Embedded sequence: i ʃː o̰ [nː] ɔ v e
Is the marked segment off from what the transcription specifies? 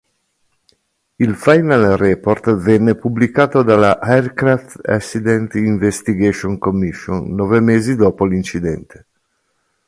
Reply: no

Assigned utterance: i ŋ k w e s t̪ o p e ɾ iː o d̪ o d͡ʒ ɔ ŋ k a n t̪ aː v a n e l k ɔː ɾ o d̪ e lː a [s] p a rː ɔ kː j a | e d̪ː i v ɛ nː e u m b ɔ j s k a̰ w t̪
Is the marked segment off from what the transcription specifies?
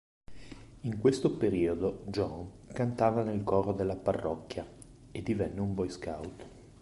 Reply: yes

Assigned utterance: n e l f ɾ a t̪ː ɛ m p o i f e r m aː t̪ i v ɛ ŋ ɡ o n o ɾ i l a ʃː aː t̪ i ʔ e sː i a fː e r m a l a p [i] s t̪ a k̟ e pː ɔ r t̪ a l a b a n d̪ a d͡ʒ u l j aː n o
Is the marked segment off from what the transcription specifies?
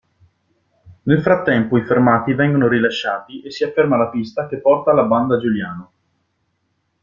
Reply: no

